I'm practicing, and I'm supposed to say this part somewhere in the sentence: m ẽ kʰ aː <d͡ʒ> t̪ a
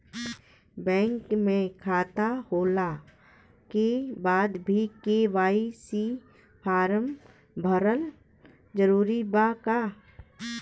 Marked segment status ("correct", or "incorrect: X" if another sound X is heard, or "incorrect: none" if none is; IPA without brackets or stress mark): incorrect: none